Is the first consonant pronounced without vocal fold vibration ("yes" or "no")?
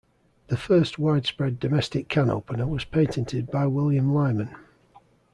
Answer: no